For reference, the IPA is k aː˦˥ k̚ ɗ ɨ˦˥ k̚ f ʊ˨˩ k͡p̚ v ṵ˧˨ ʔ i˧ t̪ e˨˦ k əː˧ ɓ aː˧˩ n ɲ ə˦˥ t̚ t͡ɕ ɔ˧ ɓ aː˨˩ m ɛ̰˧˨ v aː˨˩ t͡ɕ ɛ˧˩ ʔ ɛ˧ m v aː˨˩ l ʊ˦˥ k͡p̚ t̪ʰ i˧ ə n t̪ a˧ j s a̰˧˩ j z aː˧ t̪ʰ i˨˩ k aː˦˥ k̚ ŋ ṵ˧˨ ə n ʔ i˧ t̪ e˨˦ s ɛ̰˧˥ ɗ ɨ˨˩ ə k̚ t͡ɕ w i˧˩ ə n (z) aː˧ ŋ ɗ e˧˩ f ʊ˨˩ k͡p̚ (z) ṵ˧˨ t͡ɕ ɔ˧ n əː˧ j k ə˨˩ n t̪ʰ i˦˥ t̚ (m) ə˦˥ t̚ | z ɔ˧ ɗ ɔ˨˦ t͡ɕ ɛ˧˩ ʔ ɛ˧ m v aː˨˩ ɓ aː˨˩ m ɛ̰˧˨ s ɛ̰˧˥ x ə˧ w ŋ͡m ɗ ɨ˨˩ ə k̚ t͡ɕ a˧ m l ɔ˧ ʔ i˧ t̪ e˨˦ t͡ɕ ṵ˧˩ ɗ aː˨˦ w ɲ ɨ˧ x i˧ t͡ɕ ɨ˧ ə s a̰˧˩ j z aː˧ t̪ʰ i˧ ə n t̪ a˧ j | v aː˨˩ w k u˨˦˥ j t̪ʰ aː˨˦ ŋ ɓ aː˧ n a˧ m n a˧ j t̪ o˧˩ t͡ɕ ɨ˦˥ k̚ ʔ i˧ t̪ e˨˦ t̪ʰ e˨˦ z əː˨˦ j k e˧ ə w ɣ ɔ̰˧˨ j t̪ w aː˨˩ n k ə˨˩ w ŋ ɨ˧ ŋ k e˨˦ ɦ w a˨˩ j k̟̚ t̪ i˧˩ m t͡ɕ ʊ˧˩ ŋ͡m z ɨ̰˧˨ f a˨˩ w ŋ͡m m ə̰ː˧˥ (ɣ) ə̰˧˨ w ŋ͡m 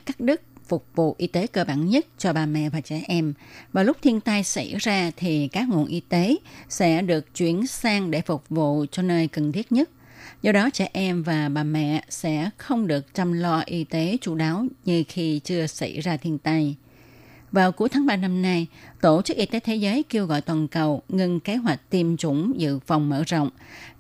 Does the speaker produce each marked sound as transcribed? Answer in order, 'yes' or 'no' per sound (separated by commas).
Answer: no, no, no, no